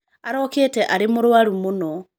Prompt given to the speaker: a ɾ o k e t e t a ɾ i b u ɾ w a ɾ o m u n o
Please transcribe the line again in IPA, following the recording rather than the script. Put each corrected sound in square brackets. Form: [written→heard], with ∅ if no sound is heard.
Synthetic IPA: a ɾ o k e t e [t→ʔ] a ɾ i [b→m] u ɾ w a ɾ [o→u] m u n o